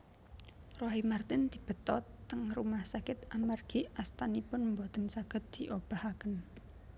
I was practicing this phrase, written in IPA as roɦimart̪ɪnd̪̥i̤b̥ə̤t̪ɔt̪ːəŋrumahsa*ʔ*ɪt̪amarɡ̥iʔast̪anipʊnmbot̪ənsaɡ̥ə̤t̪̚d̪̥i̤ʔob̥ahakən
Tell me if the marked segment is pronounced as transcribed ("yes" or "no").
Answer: no